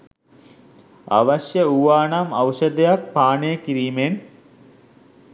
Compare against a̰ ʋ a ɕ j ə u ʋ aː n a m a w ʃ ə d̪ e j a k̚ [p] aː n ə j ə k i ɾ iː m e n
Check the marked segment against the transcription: correct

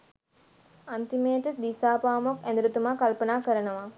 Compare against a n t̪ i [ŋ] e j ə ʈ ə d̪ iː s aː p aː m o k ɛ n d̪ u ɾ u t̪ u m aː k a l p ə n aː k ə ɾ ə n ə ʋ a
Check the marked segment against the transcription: incorrect: m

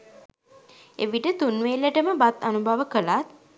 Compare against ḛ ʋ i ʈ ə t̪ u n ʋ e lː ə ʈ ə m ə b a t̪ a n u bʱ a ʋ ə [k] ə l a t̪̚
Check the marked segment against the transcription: correct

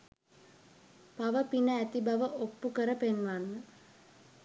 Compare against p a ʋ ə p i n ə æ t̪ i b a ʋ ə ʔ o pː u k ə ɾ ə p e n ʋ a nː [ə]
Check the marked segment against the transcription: correct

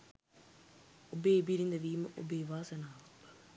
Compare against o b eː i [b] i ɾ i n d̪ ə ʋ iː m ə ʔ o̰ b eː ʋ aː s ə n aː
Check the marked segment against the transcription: correct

